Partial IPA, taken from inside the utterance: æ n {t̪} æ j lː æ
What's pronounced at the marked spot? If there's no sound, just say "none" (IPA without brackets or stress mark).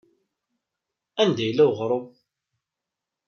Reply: d̪